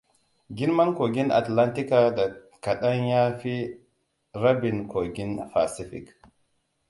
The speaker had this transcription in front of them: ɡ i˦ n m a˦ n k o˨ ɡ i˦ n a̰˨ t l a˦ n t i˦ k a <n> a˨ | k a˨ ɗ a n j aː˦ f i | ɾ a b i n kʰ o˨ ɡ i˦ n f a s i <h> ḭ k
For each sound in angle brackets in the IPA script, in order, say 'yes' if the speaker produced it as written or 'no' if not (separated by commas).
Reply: no, no